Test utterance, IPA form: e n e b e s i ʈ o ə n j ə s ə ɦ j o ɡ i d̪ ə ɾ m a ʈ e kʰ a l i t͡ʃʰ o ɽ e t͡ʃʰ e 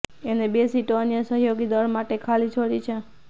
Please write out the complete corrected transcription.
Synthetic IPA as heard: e n e b e s i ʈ o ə n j ə s ə ɦ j o ɡ i d̪ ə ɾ m a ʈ e kʰ a l i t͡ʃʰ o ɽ i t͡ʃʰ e